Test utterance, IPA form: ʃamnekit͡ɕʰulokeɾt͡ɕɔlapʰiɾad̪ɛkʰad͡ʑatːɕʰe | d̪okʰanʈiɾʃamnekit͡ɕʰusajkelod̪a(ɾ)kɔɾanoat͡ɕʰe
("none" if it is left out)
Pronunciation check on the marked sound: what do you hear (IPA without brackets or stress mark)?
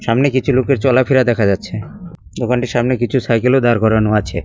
ɾ